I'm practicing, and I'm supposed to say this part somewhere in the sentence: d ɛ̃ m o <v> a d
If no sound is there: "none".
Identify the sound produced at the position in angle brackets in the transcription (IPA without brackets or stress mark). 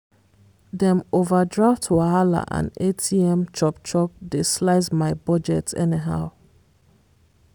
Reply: v